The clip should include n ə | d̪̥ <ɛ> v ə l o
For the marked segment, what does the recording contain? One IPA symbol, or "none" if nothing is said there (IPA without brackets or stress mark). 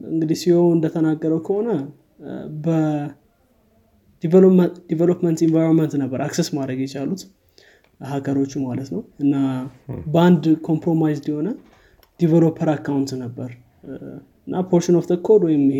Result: i